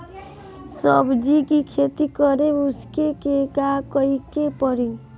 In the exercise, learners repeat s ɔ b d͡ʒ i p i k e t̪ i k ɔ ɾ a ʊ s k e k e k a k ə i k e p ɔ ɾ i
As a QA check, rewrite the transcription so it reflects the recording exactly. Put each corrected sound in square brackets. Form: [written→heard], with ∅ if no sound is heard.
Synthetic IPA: s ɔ b d͡ʒ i [p→k] i [k→kʰ] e t̪ i k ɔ ɾ [a→e] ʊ s k e k e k a k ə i k e p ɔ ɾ i